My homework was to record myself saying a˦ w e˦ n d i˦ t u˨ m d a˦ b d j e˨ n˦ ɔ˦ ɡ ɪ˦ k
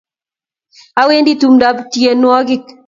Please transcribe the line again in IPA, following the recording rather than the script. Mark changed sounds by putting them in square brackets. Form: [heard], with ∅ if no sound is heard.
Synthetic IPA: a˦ w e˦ n d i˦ t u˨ m d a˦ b [t] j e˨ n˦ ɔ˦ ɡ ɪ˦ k

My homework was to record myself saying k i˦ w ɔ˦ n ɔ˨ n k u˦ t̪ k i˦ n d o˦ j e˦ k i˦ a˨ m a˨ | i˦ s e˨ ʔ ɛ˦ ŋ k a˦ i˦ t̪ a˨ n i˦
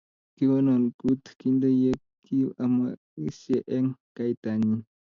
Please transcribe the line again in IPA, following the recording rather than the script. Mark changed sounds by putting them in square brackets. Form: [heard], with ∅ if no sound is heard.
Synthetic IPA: k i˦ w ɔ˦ n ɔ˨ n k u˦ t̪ k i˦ n d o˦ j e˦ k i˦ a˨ m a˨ | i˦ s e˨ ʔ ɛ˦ ŋ k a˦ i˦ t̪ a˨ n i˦

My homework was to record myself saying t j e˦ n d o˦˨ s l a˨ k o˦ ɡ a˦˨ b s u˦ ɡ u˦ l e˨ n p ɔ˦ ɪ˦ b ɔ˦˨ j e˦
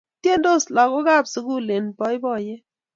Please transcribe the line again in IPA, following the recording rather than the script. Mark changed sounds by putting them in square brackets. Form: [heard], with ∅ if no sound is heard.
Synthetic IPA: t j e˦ n d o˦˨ s l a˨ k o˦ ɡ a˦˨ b s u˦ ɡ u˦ l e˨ n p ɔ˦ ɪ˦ b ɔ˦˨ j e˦

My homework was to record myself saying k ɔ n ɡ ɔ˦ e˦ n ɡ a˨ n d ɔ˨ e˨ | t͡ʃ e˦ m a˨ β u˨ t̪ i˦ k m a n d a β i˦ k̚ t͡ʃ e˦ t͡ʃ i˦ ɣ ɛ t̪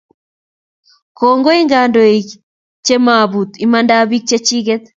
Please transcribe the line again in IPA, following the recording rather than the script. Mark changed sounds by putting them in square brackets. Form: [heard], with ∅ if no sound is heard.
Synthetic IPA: k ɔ [ŋ] ɡ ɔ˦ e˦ [ŋ] ɡ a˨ n d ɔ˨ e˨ | t͡ʃ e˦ m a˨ β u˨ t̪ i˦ [∅] m a n d a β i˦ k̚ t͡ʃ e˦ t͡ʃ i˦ ɣ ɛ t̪

